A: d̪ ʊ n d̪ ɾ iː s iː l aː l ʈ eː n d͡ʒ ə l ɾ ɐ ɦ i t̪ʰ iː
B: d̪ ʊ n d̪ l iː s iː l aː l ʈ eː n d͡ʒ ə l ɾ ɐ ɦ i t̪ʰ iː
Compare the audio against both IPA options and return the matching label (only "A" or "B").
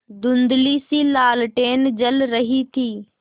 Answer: B